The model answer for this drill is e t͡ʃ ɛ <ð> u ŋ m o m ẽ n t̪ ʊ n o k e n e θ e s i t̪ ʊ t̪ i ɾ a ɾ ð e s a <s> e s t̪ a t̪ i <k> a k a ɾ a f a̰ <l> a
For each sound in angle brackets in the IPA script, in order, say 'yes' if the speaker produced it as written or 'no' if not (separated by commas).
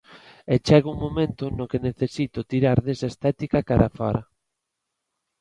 no, no, yes, no